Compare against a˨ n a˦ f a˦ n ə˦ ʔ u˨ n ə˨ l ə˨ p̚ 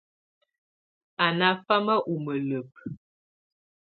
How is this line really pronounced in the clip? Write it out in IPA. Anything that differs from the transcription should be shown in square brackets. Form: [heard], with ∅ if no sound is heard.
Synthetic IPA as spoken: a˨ n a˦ f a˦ [m] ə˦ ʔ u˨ [m] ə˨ l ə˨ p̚